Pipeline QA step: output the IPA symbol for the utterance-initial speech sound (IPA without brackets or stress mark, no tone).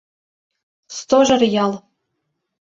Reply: s